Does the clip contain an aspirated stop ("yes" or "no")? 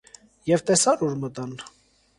no